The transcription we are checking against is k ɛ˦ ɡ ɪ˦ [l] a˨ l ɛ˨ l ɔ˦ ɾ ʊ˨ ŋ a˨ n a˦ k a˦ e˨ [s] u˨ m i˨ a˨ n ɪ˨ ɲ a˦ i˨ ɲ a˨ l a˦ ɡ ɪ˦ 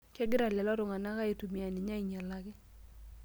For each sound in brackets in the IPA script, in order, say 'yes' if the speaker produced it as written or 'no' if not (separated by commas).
no, no